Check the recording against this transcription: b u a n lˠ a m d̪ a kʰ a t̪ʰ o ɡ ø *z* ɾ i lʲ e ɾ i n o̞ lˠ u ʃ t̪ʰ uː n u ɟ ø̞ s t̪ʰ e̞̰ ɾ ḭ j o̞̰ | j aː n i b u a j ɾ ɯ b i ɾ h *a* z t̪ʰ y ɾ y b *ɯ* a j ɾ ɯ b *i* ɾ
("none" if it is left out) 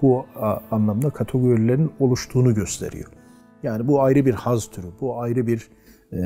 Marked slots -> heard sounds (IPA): none, a, u, i

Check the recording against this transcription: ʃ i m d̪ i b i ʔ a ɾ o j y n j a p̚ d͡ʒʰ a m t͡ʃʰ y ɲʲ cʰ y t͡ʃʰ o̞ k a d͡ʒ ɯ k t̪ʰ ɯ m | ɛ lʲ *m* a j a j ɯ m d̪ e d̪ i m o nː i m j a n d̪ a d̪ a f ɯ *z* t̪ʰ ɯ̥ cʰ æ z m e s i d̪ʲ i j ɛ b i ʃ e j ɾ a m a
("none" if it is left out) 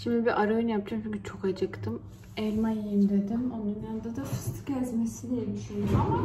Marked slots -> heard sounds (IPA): m, s

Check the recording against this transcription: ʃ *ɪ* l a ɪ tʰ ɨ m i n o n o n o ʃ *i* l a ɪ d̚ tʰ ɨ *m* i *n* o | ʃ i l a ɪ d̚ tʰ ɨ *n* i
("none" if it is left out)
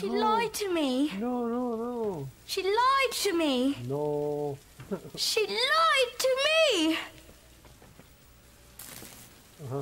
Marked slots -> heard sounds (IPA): i, i, m, n, m

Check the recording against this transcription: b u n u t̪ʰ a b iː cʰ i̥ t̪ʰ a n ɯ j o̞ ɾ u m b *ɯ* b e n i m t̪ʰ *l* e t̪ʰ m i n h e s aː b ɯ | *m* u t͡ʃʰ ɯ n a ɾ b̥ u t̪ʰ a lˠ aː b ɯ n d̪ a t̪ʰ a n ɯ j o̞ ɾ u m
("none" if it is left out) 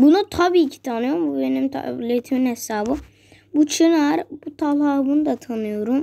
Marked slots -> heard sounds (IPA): u, l, b

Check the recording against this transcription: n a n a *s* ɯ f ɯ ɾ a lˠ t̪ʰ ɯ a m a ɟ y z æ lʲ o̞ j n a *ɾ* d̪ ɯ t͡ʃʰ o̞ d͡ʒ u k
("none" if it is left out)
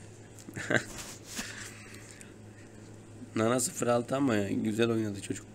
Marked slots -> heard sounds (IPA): s, none

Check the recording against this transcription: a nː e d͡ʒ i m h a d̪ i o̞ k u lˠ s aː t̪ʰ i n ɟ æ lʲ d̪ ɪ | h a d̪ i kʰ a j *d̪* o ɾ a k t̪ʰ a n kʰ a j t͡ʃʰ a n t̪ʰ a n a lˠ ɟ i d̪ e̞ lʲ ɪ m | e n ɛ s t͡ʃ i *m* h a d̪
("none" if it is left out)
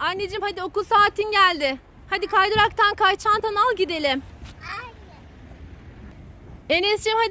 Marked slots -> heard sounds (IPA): d̪, m

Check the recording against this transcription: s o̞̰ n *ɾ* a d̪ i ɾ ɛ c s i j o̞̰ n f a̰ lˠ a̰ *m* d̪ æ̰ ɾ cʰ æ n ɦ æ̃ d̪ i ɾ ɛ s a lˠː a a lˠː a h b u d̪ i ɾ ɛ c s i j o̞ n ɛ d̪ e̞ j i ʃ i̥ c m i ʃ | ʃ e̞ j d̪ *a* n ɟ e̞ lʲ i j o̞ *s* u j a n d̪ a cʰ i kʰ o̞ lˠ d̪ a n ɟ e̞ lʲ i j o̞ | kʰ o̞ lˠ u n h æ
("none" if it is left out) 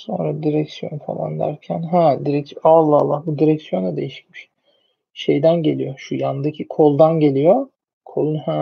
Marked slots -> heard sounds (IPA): ɾ, n, æ, ʃ

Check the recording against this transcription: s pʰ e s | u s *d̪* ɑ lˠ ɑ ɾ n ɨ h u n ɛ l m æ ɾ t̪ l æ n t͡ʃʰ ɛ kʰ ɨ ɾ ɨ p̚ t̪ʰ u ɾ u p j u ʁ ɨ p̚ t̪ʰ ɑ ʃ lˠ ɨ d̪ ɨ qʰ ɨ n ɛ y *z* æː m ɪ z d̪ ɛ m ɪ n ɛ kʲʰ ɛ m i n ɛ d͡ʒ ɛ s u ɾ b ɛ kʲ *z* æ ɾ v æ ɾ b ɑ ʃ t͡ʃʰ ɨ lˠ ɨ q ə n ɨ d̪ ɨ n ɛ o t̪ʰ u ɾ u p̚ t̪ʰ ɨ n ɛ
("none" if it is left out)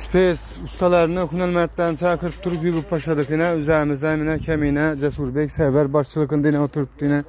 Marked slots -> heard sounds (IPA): t̪, z, s

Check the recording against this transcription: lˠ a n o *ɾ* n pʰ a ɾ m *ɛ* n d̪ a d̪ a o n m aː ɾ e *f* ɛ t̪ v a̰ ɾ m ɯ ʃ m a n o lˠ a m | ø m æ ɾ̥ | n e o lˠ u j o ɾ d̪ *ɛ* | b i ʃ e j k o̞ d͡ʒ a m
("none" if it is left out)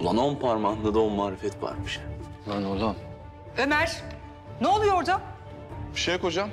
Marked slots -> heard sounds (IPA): none, a, f, a

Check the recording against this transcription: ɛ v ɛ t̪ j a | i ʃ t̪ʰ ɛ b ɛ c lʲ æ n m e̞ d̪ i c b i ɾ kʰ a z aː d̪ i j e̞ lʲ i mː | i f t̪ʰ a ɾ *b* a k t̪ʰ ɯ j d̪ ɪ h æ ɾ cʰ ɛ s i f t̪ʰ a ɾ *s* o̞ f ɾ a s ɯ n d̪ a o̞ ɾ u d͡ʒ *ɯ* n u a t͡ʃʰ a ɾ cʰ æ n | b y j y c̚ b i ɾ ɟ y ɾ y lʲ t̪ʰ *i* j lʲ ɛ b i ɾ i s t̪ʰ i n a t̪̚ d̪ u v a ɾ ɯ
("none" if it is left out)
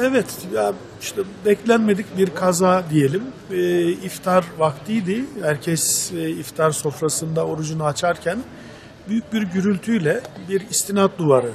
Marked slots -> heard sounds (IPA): v, s, u, y

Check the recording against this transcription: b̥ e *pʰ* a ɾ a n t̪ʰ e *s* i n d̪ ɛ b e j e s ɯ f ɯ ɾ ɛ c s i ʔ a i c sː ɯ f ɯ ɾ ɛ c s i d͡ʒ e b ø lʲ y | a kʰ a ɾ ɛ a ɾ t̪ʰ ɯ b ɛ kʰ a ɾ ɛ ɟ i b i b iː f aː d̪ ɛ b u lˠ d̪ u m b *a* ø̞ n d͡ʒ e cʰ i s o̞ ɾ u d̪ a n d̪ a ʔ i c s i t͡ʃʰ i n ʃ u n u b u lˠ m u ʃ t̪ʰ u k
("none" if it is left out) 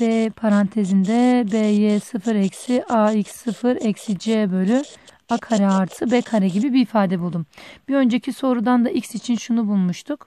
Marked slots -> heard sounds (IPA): pʰ, z, i

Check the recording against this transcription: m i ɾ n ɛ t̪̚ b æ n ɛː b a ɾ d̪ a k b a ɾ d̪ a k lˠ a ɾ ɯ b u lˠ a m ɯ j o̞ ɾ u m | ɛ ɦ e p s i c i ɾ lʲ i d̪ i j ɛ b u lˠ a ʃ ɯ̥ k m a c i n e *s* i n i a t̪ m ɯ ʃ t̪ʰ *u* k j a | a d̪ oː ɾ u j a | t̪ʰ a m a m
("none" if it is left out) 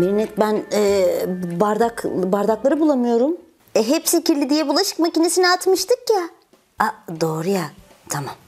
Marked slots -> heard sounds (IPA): s, ɯ

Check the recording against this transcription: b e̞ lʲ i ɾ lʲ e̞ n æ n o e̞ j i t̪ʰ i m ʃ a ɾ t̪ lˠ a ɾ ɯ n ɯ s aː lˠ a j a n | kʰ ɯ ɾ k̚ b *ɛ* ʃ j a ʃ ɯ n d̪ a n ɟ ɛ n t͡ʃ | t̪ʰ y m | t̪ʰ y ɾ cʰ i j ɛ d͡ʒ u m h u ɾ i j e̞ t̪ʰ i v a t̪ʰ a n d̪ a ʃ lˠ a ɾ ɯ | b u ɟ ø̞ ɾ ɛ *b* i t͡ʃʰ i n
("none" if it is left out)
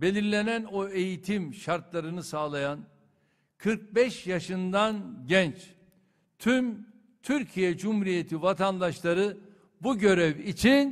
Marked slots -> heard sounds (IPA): ɛ, v

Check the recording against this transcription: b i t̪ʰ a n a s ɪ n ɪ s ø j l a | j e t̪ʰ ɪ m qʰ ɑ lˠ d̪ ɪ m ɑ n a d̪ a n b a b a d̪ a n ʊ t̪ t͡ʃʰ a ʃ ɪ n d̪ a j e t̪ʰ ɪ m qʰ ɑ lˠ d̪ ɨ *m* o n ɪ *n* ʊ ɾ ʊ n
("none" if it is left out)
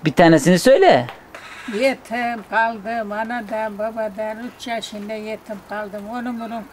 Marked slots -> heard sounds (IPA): m, m

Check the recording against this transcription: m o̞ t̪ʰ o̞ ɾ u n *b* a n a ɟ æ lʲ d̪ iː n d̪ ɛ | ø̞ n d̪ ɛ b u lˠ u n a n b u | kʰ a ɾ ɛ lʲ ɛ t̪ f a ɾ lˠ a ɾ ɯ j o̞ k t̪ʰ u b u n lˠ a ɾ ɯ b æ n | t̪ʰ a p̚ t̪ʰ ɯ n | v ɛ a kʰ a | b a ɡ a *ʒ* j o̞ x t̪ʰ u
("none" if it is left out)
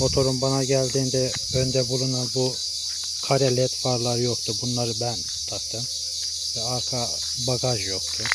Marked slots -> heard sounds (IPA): b, ʒ

